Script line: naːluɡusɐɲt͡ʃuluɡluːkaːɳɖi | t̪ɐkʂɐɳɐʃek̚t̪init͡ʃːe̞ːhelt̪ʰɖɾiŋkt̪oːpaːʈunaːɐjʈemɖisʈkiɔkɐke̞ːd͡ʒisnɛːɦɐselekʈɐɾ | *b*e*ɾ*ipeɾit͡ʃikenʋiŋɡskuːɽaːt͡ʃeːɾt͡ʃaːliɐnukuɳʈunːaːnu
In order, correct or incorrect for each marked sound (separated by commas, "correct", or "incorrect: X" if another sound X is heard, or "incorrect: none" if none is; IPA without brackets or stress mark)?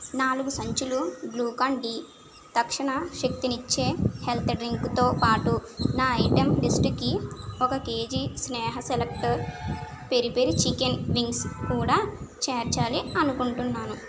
incorrect: p, correct